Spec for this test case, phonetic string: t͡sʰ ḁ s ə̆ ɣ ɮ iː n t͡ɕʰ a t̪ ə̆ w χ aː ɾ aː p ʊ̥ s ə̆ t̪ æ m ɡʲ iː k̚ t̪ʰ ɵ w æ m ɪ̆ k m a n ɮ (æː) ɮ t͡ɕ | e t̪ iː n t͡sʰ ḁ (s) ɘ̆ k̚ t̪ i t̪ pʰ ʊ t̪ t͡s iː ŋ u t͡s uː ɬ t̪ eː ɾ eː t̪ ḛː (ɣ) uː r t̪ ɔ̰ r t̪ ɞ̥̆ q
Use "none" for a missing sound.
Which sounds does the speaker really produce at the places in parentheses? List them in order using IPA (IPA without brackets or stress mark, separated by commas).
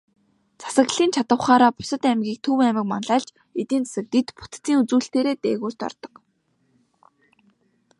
aː, s, ɣ